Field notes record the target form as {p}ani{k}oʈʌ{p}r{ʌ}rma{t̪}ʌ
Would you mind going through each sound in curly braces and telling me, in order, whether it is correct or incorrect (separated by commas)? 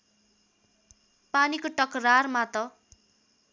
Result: correct, correct, incorrect, incorrect, correct